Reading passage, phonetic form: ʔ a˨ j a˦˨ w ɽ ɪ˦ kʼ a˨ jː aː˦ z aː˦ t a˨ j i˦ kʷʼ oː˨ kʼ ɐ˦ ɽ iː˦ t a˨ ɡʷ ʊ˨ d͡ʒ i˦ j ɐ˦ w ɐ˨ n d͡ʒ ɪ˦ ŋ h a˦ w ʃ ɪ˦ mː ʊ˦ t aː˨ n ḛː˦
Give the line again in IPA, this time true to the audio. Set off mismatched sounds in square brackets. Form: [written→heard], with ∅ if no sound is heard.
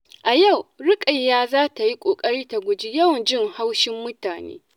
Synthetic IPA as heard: ʔ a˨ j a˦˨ w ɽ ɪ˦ kʼ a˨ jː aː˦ z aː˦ t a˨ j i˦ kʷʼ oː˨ kʼ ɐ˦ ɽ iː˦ t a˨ ɡʷ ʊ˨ d͡ʒ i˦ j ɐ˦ w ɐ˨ n d͡ʒ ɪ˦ ŋ h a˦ w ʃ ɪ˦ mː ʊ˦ t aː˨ n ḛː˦